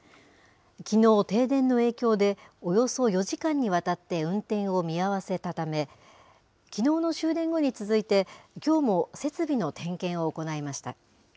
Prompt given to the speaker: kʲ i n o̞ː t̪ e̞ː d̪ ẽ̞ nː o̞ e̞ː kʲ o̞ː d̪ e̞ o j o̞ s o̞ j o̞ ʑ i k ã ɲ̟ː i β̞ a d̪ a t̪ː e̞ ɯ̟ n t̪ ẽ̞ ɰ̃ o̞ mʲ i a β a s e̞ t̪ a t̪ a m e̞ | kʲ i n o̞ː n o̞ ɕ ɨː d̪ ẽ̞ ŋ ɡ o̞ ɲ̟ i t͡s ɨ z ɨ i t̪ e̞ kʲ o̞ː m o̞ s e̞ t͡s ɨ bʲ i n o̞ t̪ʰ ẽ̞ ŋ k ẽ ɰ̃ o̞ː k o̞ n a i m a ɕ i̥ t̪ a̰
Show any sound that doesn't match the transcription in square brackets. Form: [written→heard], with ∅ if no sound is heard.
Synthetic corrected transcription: kʲ i n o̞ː t̪ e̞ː d̪ ẽ̞ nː o̞ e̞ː kʲ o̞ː d̪ e̞ o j o̞ s o̞ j o̞ ʑ i k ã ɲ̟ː i β̞ a [d̪→t̪] a t̪ː e̞ [ɯ̟→ɯ̟̃] n t̪ ẽ̞ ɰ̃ o̞ mʲ i a β a s e̞ t̪ a t̪ a m e̞ | kʲ i n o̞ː n o̞ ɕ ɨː d̪ ẽ̞ ŋ ɡ o̞ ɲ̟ i t͡s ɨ z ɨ i t̪ e̞ kʲ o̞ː m o̞ s e̞ t͡s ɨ bʲ i n o̞ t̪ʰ ẽ̞ ŋ k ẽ ɰ̃ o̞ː k o̞ n a i m a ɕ i̥ t̪ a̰